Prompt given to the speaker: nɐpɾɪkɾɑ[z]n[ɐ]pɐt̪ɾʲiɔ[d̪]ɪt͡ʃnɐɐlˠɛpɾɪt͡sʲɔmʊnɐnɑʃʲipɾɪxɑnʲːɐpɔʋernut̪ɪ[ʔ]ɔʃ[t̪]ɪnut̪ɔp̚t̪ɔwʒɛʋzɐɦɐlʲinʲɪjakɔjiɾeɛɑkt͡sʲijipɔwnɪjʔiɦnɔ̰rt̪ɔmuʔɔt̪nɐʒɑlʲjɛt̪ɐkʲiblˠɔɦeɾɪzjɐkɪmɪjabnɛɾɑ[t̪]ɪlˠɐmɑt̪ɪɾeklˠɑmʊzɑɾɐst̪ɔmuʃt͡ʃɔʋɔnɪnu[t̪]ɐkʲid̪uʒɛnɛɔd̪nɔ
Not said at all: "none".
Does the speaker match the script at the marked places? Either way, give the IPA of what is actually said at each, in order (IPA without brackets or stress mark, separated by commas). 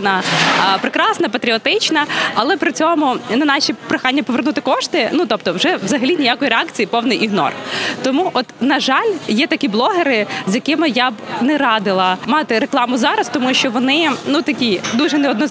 s, ɐ, t̪, k, t̪, d̪, t̪